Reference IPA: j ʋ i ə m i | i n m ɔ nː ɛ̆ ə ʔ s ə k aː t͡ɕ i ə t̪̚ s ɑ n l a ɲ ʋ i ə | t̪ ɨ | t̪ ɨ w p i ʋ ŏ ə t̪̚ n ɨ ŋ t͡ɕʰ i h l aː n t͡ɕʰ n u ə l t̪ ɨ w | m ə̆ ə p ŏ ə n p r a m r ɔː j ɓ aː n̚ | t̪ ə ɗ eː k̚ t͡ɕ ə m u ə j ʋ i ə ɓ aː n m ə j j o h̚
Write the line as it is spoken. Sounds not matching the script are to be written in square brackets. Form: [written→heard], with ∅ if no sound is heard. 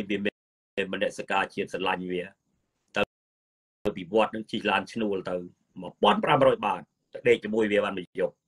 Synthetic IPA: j ʋ i ə m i | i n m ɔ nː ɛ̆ ə ʔ s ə k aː t͡ɕ i ə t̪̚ s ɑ n l a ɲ ʋ i ə | t̪ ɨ | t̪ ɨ w p i ʋ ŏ ə t̪̚ n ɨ ŋ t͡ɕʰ i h l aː n t͡ɕʰ n u ə l t̪ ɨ w | m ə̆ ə p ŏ ə n p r a m r ɔː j ɓ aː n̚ | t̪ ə ɗ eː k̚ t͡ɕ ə m u ə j ʋ i ə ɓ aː n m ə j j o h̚